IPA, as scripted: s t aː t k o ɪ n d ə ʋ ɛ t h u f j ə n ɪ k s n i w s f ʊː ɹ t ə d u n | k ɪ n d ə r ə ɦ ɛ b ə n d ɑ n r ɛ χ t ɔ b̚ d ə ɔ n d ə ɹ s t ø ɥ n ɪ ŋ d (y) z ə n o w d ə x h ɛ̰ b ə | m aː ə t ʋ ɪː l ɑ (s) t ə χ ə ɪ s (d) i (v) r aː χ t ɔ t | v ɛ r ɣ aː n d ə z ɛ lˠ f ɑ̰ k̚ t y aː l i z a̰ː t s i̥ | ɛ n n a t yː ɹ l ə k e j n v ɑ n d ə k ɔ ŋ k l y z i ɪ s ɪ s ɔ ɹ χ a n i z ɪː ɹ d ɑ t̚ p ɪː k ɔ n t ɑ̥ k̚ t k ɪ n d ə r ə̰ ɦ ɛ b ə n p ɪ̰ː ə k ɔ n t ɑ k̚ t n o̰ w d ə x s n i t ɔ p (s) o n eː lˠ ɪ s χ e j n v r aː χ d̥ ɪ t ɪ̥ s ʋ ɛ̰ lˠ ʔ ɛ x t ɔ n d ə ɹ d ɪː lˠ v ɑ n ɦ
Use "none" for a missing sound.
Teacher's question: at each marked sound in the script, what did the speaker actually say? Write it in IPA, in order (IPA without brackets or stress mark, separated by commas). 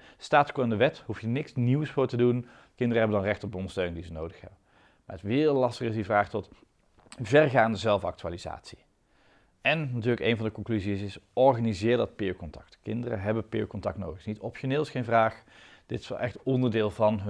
i, s, d, v, ʃ